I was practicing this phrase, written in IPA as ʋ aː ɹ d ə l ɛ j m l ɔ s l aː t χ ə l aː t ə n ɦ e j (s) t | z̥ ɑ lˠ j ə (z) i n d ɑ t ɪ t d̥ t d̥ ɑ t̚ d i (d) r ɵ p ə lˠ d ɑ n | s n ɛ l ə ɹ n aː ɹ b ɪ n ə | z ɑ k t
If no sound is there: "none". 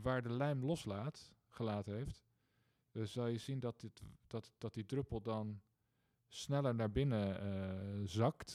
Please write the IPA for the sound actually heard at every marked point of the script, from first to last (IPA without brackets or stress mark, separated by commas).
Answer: f, z, d